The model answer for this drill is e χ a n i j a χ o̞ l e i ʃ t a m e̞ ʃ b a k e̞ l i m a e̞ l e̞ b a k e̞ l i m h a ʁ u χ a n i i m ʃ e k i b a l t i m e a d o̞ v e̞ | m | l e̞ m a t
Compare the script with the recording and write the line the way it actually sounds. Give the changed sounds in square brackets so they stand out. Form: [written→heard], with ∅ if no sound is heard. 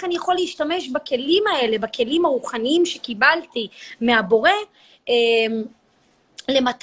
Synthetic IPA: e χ a n i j a χ o̞ l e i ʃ t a m e̞ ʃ b a k e̞ l i m a e̞ l e̞ b a k e̞ l i m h a ʁ u χ a n i i m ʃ e k i b a l t i m e a [d→b] o̞ [v→ʁ] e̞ | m | l e̞ m a t